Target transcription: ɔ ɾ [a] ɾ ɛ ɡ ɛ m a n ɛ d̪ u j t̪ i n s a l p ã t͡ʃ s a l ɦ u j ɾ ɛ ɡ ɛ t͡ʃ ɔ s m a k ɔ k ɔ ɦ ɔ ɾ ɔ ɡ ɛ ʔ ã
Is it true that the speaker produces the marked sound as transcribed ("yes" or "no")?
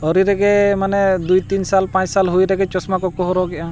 no